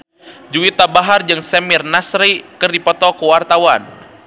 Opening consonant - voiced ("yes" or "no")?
yes